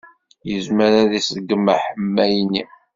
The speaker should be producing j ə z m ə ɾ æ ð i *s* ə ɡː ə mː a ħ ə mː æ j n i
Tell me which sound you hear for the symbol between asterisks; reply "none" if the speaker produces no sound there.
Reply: s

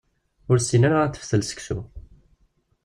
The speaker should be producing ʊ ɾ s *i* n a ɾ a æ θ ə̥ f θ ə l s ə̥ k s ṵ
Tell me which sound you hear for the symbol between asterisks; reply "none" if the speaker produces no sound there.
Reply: i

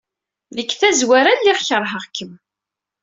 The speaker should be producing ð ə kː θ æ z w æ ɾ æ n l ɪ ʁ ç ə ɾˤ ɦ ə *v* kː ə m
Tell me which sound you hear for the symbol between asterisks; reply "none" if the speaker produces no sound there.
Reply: ʁ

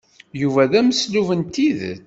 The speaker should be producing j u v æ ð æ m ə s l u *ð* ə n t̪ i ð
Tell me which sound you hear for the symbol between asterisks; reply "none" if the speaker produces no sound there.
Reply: v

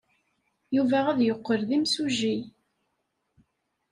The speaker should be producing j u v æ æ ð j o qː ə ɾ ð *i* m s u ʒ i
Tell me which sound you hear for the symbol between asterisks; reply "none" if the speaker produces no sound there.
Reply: i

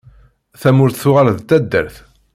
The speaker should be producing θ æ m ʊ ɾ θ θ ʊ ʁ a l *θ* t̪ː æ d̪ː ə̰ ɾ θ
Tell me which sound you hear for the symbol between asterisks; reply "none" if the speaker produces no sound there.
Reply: ð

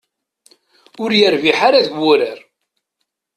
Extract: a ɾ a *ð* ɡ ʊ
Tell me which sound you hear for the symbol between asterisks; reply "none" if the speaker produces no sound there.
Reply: ð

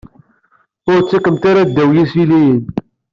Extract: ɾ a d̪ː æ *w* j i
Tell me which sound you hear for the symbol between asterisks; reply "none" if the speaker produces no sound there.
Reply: w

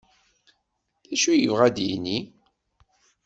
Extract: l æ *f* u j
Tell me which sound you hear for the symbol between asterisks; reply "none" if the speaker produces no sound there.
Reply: ʃ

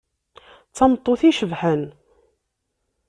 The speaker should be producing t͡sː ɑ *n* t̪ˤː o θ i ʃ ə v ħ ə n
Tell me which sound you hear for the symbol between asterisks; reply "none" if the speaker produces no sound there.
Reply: m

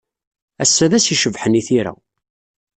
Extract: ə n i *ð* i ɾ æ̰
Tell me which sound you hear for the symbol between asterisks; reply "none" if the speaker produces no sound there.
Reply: θ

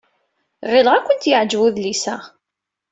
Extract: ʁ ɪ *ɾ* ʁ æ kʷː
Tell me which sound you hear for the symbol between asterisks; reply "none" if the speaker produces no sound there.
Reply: l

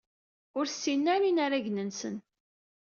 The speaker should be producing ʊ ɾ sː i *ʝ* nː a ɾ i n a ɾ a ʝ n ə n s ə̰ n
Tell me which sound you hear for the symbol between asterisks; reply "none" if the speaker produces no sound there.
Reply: none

